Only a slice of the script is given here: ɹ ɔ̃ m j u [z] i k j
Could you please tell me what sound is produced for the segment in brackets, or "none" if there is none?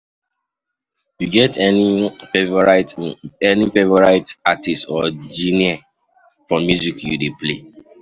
z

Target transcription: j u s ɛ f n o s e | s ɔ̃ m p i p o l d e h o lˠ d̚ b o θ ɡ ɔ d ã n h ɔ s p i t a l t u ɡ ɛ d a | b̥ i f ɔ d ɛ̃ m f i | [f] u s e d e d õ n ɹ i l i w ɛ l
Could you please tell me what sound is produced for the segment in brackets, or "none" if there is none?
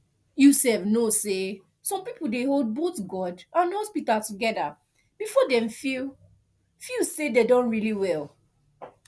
f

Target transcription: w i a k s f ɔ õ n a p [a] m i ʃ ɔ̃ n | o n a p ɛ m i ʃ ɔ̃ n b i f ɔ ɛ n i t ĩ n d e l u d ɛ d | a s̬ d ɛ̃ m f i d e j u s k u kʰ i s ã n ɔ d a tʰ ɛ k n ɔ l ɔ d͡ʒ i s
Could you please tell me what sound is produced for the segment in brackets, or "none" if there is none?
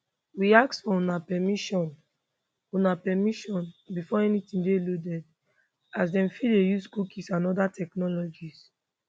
ɛ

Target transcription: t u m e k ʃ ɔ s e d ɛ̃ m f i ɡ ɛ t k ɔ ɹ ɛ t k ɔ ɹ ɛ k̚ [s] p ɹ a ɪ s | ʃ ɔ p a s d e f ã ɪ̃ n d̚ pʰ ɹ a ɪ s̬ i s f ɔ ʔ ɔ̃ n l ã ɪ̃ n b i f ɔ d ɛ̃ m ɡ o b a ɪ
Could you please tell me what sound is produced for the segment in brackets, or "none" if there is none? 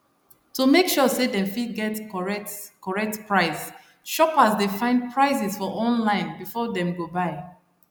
t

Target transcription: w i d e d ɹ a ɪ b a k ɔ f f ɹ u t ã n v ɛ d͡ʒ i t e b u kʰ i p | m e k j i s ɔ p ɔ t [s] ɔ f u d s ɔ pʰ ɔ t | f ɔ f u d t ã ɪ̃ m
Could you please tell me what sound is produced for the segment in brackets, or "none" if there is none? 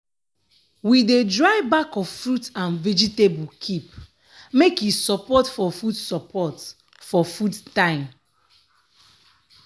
f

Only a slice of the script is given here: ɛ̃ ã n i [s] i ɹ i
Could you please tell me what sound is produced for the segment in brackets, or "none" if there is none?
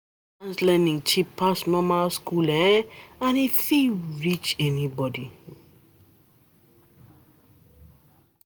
f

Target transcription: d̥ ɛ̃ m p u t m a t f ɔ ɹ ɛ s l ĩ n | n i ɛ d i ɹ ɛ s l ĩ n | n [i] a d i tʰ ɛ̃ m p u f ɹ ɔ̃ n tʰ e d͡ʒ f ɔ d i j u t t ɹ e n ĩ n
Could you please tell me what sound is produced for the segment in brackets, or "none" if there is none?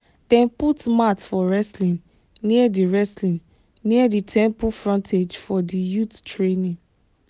i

